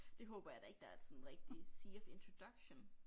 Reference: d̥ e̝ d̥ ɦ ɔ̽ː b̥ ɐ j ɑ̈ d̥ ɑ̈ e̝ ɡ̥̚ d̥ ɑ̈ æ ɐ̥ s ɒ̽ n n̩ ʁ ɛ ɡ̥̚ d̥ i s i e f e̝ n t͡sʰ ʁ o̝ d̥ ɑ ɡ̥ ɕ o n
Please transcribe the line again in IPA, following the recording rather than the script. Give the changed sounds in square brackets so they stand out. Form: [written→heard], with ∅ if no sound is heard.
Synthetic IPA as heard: d̥ e̝ [d̥→∅] ɦ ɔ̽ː b̥ ɐ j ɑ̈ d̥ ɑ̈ e̝ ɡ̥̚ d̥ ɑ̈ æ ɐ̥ s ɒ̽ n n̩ ʁ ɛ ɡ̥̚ d̥ i s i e f e̝ n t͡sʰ ʁ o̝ d̥ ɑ ɡ̥ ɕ o n